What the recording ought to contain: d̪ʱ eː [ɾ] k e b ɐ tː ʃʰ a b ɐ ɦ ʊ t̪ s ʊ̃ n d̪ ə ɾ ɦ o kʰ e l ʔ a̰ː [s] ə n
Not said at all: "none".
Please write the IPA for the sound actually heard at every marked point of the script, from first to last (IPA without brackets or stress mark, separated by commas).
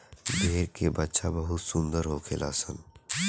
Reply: ɾ, s